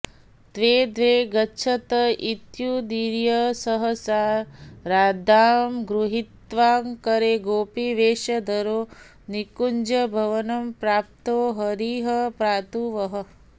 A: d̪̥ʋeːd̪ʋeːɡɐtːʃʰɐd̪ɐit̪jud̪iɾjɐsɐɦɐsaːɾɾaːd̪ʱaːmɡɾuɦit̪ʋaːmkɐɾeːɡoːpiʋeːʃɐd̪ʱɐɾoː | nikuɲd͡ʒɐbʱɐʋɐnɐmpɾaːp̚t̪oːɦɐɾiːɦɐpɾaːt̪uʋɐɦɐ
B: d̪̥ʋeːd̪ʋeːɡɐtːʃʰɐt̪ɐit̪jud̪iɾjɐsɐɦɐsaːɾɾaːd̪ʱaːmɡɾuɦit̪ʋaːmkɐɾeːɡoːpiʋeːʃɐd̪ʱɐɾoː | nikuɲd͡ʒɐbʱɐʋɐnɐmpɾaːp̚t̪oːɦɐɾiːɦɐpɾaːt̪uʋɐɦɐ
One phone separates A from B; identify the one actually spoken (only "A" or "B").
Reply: B